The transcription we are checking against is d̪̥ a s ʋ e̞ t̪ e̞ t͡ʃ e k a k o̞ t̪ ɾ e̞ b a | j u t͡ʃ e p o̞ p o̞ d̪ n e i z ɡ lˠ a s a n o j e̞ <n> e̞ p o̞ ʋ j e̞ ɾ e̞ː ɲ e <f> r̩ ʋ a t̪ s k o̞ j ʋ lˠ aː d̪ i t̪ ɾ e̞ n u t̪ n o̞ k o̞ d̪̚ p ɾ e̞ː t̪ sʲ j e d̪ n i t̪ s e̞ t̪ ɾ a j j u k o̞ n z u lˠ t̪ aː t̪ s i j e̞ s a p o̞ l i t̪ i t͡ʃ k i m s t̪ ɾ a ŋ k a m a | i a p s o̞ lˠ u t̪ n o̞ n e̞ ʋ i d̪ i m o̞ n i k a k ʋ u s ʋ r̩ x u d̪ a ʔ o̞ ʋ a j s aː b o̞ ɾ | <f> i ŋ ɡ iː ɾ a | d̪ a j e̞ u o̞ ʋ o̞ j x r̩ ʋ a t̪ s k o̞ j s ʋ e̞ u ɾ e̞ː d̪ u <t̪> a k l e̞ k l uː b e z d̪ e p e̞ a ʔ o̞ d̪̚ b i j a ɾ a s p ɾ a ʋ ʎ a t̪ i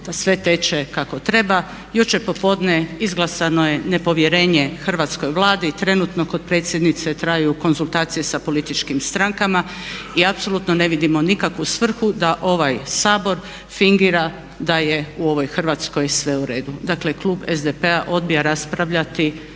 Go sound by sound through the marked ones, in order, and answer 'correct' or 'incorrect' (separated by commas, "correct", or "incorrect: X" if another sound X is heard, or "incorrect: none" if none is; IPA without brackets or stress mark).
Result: correct, incorrect: x, correct, incorrect: d̪